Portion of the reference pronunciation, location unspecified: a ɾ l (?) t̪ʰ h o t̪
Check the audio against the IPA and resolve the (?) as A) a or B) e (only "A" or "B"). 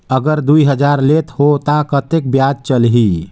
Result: B